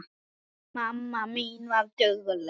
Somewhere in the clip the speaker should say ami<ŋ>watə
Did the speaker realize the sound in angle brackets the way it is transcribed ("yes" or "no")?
no